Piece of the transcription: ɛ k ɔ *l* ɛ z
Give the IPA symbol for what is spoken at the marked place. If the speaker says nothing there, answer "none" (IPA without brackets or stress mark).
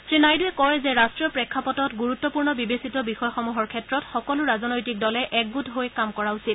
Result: ɹ